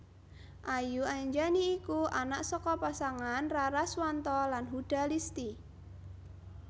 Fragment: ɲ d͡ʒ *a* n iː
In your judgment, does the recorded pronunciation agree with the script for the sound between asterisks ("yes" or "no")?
yes